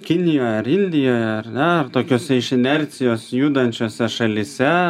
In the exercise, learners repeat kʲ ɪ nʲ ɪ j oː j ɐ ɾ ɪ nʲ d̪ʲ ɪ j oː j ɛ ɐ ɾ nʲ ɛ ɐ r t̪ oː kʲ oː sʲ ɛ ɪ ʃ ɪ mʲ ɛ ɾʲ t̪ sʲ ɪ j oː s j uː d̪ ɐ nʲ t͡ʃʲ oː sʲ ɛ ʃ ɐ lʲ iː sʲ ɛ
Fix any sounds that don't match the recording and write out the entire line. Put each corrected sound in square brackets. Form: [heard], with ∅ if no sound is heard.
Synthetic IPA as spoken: kʲ ɪ nʲ ɪ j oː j ɐ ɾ ɪ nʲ d̪ʲ ɪ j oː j ɛ ɐ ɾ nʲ ɛ ɐ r t̪ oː kʲ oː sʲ ɛ ɪ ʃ ɪ [nʲ] ɛ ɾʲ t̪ sʲ ɪ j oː s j uː d̪ ɐ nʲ t͡ʃʲ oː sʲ ɛ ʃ ɐ lʲ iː sʲ ɛ